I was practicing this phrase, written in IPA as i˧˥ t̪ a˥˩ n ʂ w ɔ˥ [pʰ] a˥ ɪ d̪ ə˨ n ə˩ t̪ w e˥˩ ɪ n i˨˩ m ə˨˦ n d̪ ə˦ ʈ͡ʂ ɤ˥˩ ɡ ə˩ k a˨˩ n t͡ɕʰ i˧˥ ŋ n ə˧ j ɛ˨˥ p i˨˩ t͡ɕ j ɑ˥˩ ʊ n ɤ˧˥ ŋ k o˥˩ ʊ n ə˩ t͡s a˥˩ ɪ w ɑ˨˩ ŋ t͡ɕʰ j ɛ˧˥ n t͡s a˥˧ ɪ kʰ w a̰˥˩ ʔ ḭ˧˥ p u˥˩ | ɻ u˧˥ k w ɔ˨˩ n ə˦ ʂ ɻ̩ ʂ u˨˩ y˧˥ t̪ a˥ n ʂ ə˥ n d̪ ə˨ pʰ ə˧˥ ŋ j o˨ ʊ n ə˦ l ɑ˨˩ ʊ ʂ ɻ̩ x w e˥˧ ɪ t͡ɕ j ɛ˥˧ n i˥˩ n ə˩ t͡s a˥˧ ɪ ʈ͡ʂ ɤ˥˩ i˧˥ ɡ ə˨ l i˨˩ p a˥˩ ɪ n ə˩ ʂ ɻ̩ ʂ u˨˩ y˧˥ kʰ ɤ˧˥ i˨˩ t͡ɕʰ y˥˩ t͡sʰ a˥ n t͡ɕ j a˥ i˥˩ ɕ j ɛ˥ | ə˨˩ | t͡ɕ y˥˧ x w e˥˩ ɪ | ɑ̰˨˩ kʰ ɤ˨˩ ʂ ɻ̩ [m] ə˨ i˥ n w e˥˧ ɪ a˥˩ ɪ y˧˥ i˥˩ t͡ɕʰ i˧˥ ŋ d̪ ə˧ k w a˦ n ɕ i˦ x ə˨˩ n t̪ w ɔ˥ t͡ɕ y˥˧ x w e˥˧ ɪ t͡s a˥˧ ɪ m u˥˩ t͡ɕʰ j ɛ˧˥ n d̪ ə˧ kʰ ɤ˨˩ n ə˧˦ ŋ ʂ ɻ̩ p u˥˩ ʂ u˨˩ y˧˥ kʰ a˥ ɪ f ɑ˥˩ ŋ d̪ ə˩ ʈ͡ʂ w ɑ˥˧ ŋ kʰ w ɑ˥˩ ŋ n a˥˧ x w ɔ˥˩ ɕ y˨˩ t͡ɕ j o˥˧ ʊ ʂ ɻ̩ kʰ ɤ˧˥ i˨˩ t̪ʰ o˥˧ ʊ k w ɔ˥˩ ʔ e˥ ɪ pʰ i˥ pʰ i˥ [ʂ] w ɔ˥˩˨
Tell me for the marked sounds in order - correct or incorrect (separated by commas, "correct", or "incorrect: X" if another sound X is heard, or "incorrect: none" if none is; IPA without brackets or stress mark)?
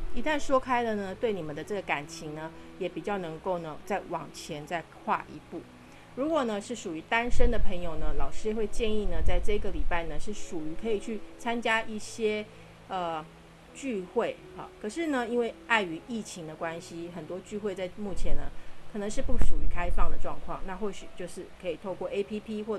incorrect: kʰ, incorrect: n, incorrect: x